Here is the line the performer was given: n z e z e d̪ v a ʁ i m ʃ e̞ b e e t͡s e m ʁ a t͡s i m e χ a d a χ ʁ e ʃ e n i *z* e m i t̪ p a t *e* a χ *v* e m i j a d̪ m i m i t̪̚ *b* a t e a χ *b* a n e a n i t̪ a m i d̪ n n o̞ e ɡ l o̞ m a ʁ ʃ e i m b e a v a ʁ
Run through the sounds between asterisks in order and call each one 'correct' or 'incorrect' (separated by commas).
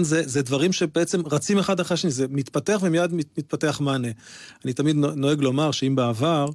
correct, correct, correct, incorrect, incorrect